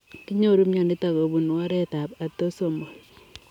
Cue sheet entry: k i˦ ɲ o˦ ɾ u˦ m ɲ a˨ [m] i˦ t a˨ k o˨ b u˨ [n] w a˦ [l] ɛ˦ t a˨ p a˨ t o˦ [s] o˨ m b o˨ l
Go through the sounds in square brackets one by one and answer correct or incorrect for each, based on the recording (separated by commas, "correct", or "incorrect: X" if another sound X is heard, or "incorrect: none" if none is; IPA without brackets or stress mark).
incorrect: n, correct, incorrect: ɾ, correct